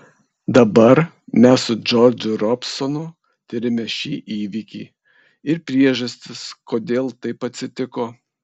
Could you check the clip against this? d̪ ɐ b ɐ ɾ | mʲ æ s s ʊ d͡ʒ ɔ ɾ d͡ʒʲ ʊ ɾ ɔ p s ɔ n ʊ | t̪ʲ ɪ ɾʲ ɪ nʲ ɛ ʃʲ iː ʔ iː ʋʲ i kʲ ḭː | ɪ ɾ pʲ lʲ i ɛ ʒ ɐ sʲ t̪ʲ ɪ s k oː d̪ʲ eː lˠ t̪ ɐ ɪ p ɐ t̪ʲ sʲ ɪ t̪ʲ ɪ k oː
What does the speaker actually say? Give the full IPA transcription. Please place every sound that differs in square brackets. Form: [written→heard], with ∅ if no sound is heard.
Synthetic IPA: d̪ ɐ b ɐ ɾ | mʲ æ s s ʊ d͡ʒ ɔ ɾ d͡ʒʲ ʊ ɾ ɔ p s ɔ n ʊ | t̪ʲ ɪ ɾʲ ɪ [nʲ→mʲ] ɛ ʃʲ iː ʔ iː ʋʲ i kʲ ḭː | ɪ ɾ pʲ [lʲ→ɾʲ] i ɛ ʒ ɐ sʲ t̪ʲ ɪ s k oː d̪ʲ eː lˠ t̪ ɐ ɪ p ɐ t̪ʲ sʲ ɪ t̪ʲ ɪ k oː